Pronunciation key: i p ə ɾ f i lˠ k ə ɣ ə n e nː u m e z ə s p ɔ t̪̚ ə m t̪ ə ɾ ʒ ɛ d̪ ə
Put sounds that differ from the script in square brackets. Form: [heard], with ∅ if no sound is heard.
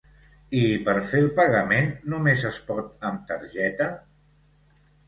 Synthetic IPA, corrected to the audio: i p ə ɾ f [e] lˠ [p] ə ɣ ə [m] e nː u m e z ə s p ɔ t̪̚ ə m t̪ ə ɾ ʒ ɛ [t̪] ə